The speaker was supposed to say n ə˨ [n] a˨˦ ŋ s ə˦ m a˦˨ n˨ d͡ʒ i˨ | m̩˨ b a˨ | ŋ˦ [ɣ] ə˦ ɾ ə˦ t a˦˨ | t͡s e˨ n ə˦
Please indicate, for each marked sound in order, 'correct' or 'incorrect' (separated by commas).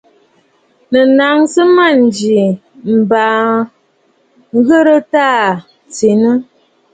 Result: correct, correct